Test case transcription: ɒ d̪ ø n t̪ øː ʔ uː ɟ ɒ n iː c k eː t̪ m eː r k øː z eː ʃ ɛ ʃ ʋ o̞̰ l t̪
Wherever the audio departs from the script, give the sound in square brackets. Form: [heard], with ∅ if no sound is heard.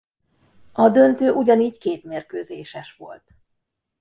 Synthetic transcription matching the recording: ɒ d̪ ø n t̪ øː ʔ [u] ɟ ɒ n iː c k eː t̪ m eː r k øː z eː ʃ ɛ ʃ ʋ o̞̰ l t̪